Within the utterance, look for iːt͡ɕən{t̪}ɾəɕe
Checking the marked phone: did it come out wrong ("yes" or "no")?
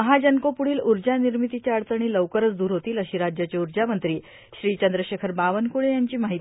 yes